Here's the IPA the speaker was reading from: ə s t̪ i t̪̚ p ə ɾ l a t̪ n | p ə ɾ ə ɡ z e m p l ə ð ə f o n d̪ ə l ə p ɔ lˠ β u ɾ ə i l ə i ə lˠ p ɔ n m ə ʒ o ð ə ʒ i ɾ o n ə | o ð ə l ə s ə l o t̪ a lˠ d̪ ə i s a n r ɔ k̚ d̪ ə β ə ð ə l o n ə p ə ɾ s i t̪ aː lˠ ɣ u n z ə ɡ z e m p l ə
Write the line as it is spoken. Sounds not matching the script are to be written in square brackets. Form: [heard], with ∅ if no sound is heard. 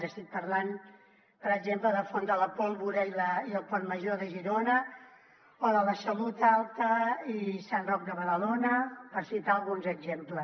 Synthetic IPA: ə s t̪ i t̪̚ p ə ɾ l a [∅] n | p ə ɾ ə ɡ z e m p l ə ð ə f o n d̪ ə l ə p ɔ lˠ β u ɾ ə i l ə i ə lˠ p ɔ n m ə ʒ o ð ə ʒ i ɾ o n ə | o ð ə l ə s ə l [u] t̪ a lˠ [t̪] ə i s a n r ɔ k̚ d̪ ə β ə ð ə l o n ə p ə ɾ s i t̪ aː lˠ ɣ u n z ə ɡ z e m p l ə

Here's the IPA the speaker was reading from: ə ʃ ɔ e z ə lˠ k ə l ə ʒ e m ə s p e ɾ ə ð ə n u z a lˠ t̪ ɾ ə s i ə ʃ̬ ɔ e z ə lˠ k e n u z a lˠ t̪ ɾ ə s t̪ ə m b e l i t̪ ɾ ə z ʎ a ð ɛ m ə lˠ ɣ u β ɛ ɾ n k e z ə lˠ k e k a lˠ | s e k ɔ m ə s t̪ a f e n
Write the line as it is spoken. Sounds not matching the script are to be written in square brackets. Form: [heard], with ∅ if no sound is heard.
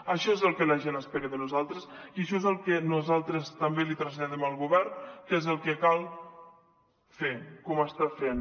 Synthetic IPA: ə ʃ ɔ e z ə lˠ k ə l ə ʒ e [n] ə s p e ɾ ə ð ə n u z a lˠ t̪ ɾ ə s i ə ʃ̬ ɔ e z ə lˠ k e n u z a lˠ t̪ ɾ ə s t̪ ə m b e l i t̪ ɾ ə z ʎ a ð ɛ m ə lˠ ɣ u β ɛ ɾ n k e z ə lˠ k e k a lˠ | [f] e k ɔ m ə s t̪ a f e n

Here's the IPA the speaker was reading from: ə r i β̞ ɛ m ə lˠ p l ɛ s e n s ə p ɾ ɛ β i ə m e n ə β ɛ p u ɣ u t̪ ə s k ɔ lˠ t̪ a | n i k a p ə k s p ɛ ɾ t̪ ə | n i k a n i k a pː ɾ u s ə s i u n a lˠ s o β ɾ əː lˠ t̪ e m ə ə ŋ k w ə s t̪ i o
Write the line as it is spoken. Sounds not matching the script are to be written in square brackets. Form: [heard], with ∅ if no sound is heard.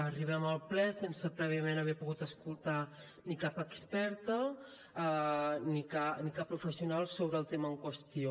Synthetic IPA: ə r i β̞ ɛ m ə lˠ p l ɛ s e n s ə p ɾ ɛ β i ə m e n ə β ɛ p u ɣ u t̪ ə s k [u] lˠ t̪ a | n i k a p ə k s p ɛ ɾ t̪ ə | n i k a n i k a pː ɾ u [f] ə s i u n a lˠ s o β ɾ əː lˠ t̪ e m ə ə ŋ k w ə s t̪ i o

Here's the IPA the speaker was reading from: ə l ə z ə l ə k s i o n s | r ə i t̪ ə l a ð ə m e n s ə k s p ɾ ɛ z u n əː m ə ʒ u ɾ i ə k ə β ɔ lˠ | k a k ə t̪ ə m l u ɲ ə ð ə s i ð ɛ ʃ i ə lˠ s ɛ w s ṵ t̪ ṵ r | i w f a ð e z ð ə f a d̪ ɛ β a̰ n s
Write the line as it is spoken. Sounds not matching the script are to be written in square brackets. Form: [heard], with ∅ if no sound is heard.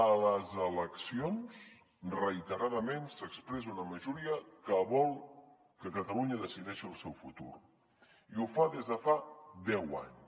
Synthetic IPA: ə l ə z ə l ə k s i o n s | r ə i t̪ ə [ɾ] a ð ə m e n s ə k s p ɾ ɛ z u n [ə] m ə ʒ u ɾ i ə k ə β ɔ lˠ | k [ə] k ə t̪ ə [∅] l u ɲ ə ð ə s i ð ɛ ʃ i ə lˠ s ɛ w [f] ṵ t̪ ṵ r | i [u] f a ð e z ð ə f a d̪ ɛ [w] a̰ [ɲ] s

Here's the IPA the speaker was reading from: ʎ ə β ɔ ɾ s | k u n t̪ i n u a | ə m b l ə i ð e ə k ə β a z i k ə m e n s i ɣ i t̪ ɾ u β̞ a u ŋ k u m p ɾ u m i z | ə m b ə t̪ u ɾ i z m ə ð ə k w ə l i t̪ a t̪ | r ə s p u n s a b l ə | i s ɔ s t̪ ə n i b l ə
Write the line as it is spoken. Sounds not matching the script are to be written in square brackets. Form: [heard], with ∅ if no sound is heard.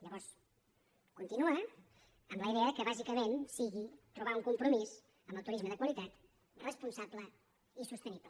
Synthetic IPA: ʎ ə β ɔ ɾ s | k u n t̪ i n u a | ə m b l ə i ð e ə k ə β a z i k ə m e n s i ɣ i t̪ ɾ u β̞ a u ŋ k u m p ɾ u m i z | ə m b ə t̪ u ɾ i z m ə ð ə k w ə l i t̪ a t̪ | r ə s p u n s a b l ə | i s [u] s t̪ ə n i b l ə

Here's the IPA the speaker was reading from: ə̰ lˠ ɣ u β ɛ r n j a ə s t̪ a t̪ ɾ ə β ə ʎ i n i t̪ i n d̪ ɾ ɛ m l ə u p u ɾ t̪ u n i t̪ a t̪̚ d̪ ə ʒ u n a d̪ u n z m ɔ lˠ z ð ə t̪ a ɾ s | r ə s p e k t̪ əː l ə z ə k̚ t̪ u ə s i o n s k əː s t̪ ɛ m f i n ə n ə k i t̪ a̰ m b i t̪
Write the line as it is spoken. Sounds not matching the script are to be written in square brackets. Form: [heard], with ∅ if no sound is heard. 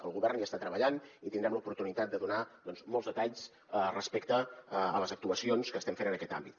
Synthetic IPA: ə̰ lˠ ɣ u β ɛ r n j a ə s t̪ a t̪ ɾ ə β ə ʎ [a] n i t̪ i n d̪ ɾ ɛ m l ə u p u ɾ t̪ u n i t̪ a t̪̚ d̪ ə [ð] u n a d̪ [ɔ] n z m ɔ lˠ z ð ə t̪ a [ʎ] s | r ə s p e k t̪ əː l ə z ə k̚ t̪ u ə s i o n s k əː s t̪ ɛ m f [e] n ə n ə k [ɛ] t̪ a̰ m b i t̪

